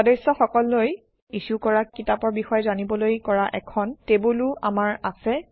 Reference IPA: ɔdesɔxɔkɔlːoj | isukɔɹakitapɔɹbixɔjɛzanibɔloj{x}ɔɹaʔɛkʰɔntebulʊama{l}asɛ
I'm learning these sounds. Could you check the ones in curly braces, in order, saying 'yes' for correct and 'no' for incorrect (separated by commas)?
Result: no, no